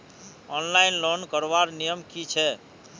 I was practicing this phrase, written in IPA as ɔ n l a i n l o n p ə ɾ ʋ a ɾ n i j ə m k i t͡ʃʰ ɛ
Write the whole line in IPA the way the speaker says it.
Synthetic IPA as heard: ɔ n l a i n l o n k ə ɾ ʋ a ɾ n i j ə m k i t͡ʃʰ ɛ